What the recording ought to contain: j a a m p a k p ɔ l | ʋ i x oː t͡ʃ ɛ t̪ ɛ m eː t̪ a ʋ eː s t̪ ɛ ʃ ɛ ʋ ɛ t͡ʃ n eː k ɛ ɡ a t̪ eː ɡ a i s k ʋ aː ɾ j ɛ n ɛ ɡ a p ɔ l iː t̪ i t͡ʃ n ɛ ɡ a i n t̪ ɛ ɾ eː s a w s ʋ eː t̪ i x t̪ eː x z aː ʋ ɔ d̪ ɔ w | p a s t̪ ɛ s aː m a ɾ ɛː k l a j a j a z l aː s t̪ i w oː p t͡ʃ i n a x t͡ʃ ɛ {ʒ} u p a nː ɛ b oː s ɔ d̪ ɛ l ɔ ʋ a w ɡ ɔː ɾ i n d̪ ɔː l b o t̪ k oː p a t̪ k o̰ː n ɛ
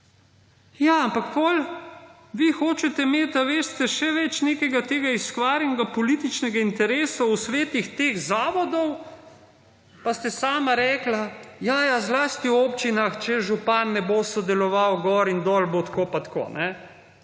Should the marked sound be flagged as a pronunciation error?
no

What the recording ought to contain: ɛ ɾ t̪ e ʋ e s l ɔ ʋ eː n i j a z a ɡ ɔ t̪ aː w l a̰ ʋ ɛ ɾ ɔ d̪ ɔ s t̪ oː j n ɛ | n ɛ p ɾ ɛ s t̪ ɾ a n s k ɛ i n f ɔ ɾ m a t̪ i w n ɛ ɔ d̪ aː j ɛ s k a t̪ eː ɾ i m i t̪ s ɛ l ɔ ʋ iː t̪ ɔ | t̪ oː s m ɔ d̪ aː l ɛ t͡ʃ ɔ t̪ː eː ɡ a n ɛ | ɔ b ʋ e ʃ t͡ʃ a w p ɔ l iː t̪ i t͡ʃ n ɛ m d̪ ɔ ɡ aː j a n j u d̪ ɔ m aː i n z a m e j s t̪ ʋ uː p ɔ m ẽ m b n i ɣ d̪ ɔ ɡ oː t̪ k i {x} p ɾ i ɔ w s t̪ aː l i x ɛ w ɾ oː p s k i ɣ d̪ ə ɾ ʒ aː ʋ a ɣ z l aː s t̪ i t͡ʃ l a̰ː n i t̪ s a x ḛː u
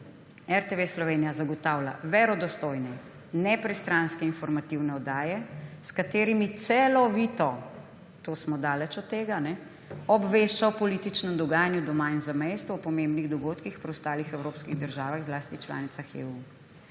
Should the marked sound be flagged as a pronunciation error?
no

